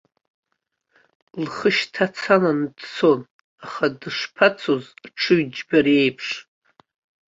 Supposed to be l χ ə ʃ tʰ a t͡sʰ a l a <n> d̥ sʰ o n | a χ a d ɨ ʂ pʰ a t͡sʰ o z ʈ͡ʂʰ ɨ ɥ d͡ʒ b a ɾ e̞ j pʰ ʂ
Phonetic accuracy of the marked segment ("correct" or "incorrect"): correct